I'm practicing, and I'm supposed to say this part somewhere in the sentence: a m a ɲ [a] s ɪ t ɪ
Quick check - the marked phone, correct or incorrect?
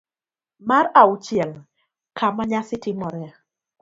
correct